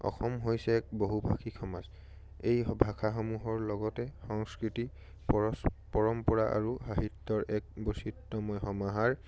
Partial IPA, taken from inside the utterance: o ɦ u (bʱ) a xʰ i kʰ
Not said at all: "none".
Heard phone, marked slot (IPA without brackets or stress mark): bʱ